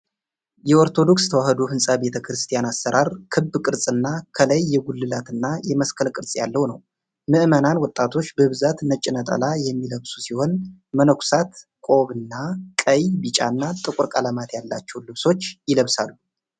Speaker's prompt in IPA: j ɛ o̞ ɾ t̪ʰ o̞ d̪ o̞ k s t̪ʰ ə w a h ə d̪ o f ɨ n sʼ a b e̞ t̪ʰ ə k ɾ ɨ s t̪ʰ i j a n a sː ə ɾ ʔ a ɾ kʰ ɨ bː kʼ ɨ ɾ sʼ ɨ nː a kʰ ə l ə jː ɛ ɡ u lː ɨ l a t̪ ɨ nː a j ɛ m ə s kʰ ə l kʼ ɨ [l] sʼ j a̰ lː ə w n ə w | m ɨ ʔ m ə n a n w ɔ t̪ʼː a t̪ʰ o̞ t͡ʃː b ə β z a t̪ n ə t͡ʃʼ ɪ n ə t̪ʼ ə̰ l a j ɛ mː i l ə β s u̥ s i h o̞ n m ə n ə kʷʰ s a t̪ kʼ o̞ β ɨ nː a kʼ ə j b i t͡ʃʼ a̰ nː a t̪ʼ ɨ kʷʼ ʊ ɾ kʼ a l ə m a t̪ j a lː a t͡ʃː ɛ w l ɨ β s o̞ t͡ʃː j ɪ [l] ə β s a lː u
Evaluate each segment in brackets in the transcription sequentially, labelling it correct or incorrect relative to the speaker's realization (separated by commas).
incorrect, correct